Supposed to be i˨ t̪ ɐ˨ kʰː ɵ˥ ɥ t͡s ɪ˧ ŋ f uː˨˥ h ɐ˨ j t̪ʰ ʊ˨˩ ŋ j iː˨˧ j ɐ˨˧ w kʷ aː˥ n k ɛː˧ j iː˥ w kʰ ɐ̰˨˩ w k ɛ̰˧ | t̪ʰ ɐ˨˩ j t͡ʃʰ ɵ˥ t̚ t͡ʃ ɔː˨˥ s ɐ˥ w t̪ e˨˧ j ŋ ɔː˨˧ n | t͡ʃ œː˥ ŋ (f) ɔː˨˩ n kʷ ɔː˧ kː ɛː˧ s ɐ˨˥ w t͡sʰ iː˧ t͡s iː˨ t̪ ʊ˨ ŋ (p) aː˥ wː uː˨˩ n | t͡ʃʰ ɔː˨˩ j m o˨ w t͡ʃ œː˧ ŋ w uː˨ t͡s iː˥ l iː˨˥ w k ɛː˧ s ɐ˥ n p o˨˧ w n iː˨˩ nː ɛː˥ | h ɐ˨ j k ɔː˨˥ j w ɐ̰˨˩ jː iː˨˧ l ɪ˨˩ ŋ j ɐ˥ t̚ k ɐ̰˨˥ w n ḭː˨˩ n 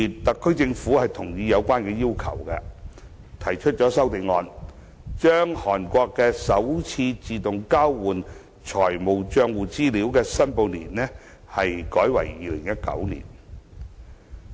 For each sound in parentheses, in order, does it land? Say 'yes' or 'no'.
no, no

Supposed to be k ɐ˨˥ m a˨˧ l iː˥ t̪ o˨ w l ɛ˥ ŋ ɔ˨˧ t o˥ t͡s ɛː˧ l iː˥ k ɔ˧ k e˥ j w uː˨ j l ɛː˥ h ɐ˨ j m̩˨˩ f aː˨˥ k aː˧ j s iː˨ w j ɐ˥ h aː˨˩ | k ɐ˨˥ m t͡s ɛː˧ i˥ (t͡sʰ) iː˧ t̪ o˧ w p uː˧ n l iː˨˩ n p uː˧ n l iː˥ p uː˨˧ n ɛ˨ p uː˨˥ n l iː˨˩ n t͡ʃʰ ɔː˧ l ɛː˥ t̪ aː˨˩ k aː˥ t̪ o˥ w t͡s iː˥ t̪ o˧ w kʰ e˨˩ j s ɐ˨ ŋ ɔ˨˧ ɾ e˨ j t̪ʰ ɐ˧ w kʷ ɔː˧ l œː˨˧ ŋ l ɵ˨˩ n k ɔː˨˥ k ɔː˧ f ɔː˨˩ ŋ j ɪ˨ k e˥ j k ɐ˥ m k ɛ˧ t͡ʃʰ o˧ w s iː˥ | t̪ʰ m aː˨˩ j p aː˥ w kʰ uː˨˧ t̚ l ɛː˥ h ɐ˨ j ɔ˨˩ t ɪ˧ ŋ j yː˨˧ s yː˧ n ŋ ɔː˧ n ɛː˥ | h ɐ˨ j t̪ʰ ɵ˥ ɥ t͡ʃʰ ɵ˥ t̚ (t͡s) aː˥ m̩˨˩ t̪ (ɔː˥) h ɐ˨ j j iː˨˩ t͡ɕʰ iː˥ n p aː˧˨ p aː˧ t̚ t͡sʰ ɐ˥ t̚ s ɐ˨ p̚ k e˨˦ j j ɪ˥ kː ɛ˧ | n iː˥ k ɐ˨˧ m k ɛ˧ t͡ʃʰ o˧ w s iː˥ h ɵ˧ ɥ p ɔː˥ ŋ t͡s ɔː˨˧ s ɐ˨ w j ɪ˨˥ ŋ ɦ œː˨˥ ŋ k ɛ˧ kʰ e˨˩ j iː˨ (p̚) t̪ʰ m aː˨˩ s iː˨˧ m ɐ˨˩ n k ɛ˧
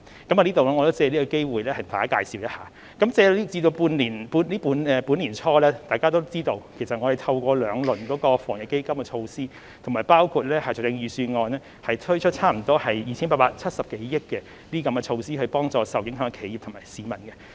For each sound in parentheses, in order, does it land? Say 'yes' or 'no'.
no, no, yes, yes

